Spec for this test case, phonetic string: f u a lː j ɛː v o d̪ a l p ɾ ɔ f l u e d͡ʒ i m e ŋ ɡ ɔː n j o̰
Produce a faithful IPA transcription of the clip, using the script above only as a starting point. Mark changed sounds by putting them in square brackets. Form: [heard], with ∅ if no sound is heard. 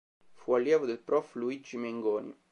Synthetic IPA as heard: f u a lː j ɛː v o d̪ [e] l p ɾ ɔ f l u [i] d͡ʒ i m e ŋ ɡ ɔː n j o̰

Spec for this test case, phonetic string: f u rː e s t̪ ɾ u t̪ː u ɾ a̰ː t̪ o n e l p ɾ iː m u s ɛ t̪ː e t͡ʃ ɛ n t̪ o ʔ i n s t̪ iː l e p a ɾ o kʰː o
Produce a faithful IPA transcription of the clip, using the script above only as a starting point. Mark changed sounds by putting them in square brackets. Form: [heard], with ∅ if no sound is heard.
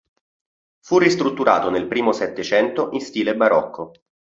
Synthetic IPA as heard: f u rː [i] s t̪ ɾ u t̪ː u ɾ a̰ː t̪ o n e l p ɾ iː m [o] s ɛ t̪ː e t͡ʃ ɛ n t̪ o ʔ i n s t̪ iː l e [b] a ɾ [ɔ] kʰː o

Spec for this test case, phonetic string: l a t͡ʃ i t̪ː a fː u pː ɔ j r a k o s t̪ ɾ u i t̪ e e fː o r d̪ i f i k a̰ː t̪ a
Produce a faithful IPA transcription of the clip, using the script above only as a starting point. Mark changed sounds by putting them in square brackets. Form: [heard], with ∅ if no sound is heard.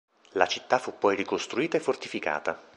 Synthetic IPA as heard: l a t͡ʃ i t̪ː a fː u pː ɔ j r [i] k o s t̪ ɾ u [iː] t̪ [a] e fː o r [t̪] i f i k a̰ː t̪ a

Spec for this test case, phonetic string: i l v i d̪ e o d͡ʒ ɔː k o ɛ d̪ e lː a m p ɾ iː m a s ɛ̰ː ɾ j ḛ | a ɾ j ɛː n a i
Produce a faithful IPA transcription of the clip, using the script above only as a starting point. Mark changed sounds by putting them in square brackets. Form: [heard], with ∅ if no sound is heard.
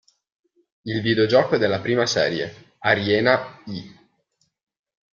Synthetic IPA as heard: i l v i d̪ e o d͡ʒ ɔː k o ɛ d̪ e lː a [∅] p ɾ iː m a s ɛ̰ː ɾ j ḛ | a ɾ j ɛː n a i

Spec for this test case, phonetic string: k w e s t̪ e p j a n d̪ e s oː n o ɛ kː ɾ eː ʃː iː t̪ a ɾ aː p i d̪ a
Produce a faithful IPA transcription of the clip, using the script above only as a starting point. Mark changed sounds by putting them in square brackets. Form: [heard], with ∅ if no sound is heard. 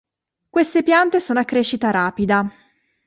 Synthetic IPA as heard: k w e s t̪ e p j a n [t̪] e s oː n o [a] kː ɾ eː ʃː [i] t̪ a ɾ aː p i d̪ a

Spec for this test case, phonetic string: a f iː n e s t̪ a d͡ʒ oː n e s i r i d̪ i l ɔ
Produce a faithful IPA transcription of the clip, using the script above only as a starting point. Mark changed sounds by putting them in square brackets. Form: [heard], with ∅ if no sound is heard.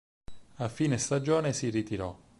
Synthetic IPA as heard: a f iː n e s t̪ a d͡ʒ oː n e s i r i [t̪] i [ɾ] ɔ

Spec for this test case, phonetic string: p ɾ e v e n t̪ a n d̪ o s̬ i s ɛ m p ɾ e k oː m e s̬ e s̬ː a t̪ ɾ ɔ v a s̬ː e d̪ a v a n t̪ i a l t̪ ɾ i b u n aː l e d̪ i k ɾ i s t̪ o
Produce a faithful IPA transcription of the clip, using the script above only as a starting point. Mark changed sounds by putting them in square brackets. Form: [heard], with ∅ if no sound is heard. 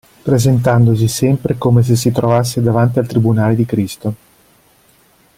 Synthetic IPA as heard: p ɾ e [z] e n t̪ a n d̪ o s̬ i s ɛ m p ɾ e k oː m e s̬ e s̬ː [i] t̪ ɾ [o] v a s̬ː e d̪ a v a n t̪ i a l t̪ ɾ i b u n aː l e d̪ i k ɾ i s t̪ o

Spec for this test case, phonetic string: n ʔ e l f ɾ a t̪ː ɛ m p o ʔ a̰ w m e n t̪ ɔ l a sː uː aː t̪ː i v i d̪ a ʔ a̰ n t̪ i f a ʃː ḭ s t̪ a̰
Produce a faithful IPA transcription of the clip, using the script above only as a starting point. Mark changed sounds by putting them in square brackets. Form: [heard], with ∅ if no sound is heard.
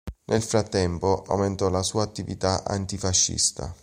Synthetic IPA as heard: n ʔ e l f ɾ a t̪ː ɛ m p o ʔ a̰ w m e n t̪ ɔ l a [s] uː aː t̪ː i v i [t̪] a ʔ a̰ n t̪ i f a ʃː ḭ s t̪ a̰

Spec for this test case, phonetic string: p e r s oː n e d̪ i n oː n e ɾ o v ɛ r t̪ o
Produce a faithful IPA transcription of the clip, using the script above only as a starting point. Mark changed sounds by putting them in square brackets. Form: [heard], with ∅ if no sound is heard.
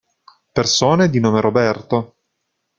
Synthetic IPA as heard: p e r s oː n e d̪ i n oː [m] e ɾ o [b] ɛ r t̪ o

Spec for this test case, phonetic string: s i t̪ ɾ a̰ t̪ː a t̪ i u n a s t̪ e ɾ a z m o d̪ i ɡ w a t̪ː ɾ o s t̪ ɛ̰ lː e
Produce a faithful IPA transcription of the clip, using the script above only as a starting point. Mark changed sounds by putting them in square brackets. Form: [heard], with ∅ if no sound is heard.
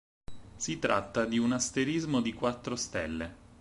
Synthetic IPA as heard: s i t̪ ɾ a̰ t̪ː a [d̪] i u n a s t̪ e ɾ [i] z m o d̪ i [k] w a t̪ː ɾ o s t̪ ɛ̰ lː e

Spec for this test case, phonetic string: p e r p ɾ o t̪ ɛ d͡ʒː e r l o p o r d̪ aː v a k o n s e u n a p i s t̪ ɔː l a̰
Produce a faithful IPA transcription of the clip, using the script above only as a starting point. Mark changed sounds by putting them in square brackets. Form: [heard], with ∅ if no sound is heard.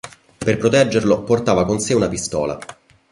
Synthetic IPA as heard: p e r p ɾ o t̪ ɛ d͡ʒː e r l o p o r [t̪] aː v a k o n s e u n a p i s t̪ ɔː l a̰

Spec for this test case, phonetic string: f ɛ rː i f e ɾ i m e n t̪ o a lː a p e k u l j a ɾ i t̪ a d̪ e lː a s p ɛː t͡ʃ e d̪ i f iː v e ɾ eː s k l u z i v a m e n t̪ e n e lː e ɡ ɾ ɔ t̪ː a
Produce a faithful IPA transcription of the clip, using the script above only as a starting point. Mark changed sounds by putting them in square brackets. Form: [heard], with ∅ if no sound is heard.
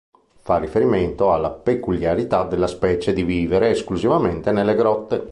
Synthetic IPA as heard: f [a] rː i f e ɾ i m e n t̪ o a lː a p e k u l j a ɾ i t̪ a d̪ e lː a s p ɛː t͡ʃ e d̪ i [v] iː v e ɾ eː s k l u z i v a m e n t̪ e n e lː e ɡ ɾ ɔ t̪ː [e]

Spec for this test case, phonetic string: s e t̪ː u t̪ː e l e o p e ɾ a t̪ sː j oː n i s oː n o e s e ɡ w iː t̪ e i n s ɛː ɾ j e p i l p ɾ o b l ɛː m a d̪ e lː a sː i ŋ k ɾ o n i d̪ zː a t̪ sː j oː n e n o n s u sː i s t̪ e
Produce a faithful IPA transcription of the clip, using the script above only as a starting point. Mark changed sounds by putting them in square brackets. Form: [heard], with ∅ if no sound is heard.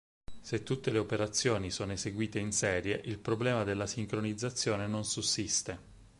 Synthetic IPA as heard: s e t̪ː u t̪ː e l e o p e ɾ a t̪ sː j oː n i s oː n o e s e ɡ w iː t̪ e i n s ɛː ɾ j e [ʔ] i l p ɾ o b l ɛː m a d̪ e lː a [s] i ŋ k ɾ o n i d̪ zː a t̪ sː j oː n e n o n s u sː i s t̪ e

